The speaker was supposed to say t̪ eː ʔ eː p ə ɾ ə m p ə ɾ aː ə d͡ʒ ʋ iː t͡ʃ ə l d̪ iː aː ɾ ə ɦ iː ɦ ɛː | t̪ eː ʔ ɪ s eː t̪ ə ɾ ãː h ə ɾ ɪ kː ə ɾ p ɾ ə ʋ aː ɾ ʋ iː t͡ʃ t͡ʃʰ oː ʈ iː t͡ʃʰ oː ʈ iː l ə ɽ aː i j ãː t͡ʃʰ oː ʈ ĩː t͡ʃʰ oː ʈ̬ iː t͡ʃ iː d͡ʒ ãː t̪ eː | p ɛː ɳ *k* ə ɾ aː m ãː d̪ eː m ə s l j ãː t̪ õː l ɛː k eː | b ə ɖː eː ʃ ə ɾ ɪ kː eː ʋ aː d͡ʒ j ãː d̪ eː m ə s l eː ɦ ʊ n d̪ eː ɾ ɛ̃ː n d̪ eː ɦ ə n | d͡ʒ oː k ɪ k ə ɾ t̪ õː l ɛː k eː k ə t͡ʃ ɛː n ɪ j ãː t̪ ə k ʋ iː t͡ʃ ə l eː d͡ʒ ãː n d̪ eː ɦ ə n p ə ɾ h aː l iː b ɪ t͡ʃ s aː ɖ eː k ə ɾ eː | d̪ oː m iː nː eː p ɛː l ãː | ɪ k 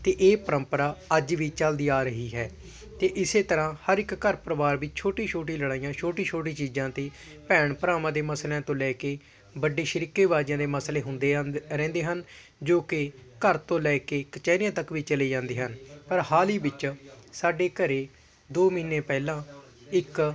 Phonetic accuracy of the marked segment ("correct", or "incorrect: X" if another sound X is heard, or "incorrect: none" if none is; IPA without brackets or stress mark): incorrect: p